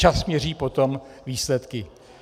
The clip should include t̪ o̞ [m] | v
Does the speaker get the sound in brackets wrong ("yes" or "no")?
no